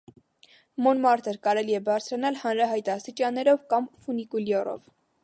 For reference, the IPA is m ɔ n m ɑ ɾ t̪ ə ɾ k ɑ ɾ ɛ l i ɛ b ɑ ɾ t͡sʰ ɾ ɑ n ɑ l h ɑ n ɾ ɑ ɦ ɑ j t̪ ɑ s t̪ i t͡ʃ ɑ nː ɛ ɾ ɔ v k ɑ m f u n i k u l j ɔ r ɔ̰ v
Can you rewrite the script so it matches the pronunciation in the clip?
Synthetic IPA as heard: m ɔ n m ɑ ɾ t̪ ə ɾ k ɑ ɾ ɛ l i ɛ b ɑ ɾ t͡sʰ ɾ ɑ n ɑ l h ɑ n ɾ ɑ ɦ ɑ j t̪ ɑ s t̪ i t͡ʃ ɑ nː ɛ ɾ ɔ v k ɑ m f u n i k u l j ɔ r ɔ̰ v